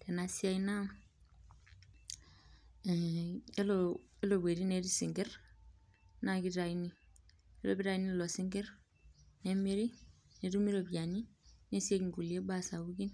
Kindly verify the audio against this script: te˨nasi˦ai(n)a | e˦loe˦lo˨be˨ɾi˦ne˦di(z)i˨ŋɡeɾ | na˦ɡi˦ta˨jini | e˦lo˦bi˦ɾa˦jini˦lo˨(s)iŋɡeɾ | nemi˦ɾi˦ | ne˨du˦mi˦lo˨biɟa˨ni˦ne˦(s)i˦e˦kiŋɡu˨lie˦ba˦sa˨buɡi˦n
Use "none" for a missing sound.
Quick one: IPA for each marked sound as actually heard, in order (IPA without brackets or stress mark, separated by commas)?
n, s, s, s